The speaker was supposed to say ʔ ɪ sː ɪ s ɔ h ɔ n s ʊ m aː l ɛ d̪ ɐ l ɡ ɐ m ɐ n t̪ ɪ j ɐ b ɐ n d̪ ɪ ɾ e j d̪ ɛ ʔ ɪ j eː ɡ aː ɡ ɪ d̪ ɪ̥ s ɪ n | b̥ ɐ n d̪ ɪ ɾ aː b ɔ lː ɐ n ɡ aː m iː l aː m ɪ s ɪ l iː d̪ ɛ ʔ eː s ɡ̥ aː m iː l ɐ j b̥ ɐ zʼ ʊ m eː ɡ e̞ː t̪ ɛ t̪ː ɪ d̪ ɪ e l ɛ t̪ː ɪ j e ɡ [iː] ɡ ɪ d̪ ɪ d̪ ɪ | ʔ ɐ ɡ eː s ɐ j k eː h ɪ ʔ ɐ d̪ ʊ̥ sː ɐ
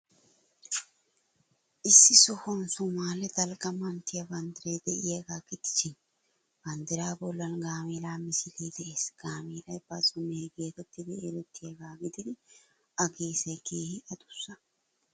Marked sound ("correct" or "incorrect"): incorrect